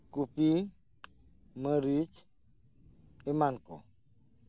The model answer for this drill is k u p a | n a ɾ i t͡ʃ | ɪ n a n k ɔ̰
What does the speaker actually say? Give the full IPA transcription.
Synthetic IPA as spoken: k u p i | m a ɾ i t͡ʃ | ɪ m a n k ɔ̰